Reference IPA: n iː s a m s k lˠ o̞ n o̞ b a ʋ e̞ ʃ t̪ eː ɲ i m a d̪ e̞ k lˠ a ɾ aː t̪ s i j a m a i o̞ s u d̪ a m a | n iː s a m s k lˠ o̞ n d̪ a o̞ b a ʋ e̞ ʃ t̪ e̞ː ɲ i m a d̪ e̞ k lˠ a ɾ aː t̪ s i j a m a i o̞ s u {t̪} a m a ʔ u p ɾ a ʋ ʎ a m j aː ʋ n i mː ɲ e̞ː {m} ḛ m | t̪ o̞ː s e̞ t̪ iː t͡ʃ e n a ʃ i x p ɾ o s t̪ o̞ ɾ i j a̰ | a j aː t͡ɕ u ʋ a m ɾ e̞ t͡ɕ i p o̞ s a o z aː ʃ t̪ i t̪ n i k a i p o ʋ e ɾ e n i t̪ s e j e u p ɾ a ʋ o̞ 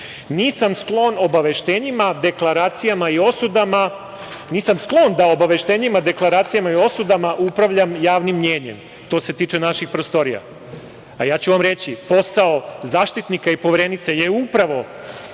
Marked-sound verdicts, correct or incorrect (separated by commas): incorrect, incorrect